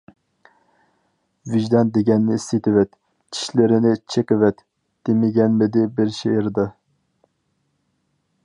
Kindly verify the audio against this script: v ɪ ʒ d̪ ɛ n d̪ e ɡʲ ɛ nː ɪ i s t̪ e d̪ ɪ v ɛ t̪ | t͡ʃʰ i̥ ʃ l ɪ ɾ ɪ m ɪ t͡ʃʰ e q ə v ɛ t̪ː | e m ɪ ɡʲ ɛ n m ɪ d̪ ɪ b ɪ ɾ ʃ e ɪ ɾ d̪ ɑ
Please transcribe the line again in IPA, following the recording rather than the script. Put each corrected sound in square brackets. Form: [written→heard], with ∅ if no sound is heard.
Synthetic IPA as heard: v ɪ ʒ d̪ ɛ n d̪ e ɡʲ ɛ nː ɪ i s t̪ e [d̪→t̪] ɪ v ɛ t̪ | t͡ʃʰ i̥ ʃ l ɪ ɾ ɪ [m→n] ɪ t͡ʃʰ e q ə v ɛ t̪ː | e m ɪ ɡʲ ɛ n m ɪ d̪ ɪ b ɪ ɾ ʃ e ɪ ɾ d̪ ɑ

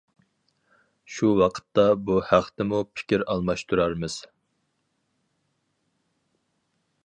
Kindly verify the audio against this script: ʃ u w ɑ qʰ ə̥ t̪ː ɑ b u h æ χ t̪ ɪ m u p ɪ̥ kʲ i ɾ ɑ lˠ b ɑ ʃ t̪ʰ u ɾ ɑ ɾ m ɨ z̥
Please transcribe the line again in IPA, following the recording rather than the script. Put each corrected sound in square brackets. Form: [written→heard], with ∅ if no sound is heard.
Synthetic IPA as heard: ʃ u w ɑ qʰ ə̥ t̪ː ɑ b u h æ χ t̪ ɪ m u [p→pʰ] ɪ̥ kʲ i ɾ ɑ lˠ [b→m] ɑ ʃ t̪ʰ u ɾ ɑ ɾ m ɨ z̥

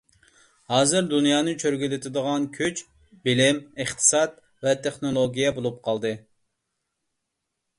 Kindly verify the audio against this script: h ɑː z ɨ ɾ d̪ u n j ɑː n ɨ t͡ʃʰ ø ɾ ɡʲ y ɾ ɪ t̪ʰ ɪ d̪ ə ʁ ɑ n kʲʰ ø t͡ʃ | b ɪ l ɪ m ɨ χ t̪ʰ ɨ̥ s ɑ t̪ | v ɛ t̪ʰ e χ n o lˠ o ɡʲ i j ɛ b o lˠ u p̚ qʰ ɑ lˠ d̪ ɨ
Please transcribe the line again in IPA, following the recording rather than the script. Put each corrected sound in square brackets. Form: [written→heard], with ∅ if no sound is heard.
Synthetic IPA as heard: h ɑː z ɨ ɾ d̪ u n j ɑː n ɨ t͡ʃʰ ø ɾ ɡʲ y [ɾ→l] ɪ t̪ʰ ɪ d̪ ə ʁ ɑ n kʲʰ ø t͡ʃ | b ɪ l ɪ m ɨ χ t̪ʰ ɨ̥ s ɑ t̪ | v ɛ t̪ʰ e χ n o lˠ o ɡʲ i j ɛ b o lˠ u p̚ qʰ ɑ lˠ d̪ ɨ

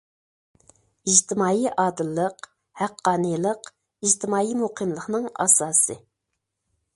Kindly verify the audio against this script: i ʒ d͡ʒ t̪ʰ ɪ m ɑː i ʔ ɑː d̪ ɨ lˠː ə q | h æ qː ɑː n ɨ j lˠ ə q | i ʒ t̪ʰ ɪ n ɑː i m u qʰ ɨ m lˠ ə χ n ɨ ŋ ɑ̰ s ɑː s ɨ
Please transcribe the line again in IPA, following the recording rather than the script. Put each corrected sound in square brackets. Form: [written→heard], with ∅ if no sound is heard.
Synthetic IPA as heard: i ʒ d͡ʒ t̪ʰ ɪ m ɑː i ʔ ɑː d̪ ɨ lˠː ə q | h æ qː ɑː n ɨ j lˠ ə q | i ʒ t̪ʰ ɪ [n→m] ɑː i m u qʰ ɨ m lˠ ə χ n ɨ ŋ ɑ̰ s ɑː s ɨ

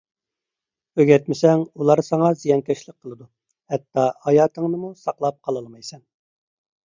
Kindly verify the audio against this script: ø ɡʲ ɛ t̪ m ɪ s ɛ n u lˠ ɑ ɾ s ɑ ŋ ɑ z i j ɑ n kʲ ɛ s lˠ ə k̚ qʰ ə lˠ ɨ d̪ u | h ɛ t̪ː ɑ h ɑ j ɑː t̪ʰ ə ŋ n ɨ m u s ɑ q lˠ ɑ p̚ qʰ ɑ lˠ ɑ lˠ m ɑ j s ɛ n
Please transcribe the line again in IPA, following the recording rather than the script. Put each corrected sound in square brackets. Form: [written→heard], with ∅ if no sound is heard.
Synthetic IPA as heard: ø ɡʲ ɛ t̪ m ɪ s ɛ [n→ŋ] u lˠ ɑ ɾ s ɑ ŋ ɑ z i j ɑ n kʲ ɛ [s→ʃ] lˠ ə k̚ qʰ ə lˠ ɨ d̪ u | h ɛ t̪ː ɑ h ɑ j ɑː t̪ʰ ə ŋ n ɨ m u s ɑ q lˠ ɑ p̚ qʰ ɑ lˠ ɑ lˠ m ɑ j s ɛ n

